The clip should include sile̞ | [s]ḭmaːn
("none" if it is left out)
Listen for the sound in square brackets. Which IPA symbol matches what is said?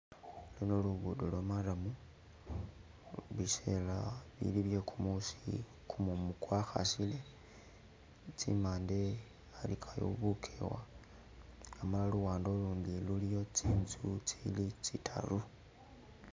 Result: t͡s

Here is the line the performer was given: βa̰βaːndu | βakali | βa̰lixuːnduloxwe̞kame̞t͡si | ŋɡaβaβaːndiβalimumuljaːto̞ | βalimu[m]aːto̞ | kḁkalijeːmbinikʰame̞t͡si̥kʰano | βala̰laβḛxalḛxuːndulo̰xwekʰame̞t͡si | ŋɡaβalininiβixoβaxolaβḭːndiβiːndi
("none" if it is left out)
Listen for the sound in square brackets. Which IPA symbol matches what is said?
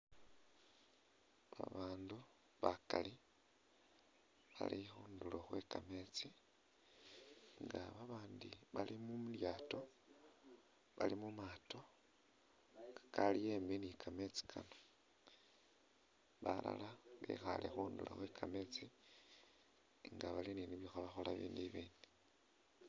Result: m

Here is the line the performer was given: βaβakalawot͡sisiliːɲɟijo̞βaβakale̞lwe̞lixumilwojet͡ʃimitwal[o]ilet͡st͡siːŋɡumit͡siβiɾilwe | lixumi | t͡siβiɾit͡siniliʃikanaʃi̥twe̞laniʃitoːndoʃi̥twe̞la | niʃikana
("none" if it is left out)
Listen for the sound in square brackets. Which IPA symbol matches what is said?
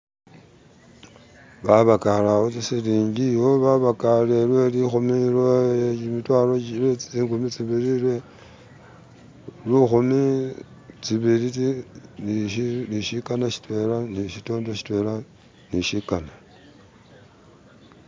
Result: o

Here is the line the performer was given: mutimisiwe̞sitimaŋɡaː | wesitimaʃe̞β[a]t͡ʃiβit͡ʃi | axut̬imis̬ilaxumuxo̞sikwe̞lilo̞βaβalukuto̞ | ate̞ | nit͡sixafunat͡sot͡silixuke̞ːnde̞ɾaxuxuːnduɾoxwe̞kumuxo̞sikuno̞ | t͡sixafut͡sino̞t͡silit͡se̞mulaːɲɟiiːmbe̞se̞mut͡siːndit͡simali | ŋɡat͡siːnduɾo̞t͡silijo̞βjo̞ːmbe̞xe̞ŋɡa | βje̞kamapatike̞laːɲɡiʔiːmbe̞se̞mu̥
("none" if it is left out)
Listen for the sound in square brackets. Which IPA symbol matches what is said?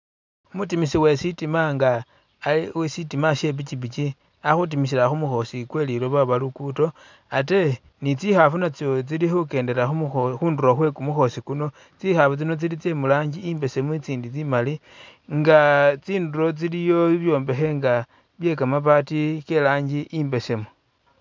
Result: i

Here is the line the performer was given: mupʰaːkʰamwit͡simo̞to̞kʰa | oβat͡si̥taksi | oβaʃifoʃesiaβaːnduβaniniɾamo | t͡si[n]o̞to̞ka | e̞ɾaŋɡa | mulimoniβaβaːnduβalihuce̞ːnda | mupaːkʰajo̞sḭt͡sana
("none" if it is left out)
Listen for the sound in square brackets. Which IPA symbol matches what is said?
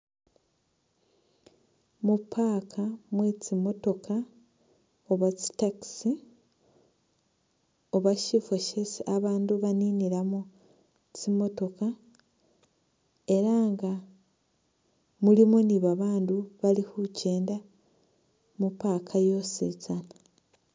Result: m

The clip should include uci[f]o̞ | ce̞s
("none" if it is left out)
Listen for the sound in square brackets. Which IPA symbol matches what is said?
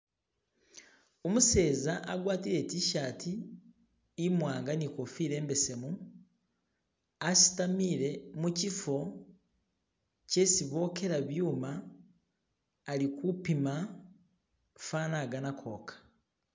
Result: f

